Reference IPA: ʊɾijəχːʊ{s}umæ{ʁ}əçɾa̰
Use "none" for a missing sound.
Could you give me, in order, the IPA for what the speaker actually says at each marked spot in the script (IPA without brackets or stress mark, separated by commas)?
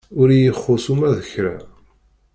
s, ð